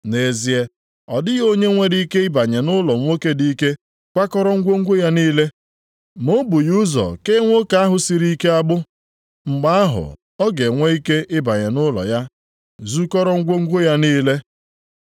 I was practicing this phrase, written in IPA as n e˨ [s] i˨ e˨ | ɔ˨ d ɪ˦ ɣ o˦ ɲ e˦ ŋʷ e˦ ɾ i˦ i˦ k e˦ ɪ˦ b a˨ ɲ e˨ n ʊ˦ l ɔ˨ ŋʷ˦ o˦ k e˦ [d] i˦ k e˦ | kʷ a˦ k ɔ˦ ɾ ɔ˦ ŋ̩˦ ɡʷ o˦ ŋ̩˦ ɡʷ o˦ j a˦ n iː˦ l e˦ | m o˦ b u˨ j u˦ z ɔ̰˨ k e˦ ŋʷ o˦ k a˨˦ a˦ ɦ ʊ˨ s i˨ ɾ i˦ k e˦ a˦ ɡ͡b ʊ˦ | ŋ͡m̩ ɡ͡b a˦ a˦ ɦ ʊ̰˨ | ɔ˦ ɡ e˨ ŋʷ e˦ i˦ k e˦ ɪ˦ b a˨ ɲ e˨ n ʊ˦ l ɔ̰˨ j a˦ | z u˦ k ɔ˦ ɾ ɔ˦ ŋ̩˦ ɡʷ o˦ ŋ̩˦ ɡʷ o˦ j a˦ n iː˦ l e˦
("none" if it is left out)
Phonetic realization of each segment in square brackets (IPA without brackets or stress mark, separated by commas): z, d